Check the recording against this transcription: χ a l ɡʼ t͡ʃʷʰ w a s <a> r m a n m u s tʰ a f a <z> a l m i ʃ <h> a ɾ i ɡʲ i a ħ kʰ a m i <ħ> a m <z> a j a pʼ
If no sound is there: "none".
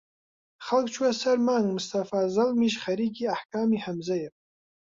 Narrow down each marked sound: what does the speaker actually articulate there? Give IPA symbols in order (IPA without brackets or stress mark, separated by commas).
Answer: a, z, χ, ħ, z